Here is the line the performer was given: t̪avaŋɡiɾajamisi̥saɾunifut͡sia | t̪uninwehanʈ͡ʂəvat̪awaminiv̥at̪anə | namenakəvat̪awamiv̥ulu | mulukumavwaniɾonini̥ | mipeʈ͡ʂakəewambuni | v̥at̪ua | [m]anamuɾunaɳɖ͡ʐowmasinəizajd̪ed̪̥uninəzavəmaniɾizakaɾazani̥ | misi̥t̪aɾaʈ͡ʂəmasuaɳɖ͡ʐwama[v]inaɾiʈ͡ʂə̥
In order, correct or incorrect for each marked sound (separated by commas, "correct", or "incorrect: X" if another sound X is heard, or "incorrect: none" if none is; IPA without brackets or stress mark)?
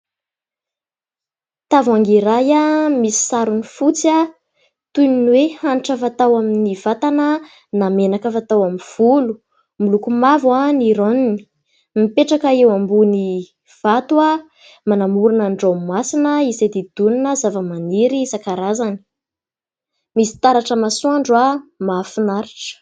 correct, incorrect: f